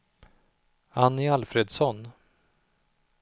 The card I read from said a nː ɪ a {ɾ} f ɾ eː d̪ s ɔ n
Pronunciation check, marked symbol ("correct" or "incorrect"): incorrect